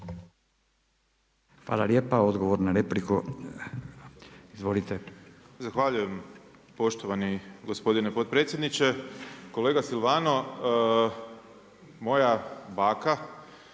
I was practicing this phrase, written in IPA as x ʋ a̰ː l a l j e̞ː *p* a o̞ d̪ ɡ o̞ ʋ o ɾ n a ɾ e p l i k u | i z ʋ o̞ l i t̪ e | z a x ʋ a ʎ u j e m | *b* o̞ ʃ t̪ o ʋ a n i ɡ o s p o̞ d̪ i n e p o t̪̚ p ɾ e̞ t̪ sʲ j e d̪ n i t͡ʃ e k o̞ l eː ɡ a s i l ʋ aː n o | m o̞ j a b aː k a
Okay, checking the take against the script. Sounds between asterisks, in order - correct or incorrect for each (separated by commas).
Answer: correct, incorrect